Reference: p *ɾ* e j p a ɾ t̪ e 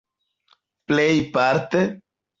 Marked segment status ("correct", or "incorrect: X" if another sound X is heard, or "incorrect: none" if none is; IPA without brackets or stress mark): incorrect: l